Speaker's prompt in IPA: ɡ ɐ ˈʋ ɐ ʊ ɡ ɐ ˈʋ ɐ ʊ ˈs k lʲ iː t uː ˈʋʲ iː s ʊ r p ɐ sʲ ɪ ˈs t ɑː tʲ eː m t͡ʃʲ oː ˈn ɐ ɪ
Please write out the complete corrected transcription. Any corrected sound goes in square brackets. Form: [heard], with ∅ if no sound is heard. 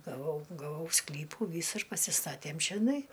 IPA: ɡ ɐ ˈʋ ɐ ʊ ɡ ɐ ˈʋ ɐ ʊ ˈs k lʲ iː [p] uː ˈʋʲ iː s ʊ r p ɐ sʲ ɪ ˈs t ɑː tʲ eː m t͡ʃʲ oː ˈn ɐ ɪ